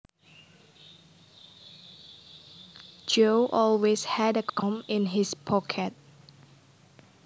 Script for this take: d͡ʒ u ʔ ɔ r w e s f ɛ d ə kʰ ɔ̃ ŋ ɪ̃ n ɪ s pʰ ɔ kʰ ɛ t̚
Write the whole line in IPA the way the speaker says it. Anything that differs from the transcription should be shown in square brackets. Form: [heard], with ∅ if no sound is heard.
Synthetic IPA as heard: d͡ʒ [o] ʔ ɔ [l] w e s [h] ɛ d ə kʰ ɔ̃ [m] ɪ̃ n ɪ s pʰ ɔ kʰ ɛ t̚